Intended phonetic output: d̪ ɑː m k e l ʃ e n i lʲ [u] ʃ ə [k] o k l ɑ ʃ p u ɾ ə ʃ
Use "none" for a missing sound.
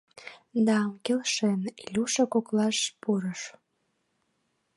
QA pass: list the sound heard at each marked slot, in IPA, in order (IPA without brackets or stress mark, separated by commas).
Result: u, k